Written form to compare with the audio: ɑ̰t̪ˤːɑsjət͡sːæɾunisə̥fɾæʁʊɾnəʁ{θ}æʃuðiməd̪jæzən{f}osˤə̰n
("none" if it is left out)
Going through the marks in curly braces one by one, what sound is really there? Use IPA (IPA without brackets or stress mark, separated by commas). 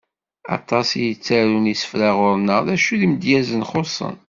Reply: ð, χ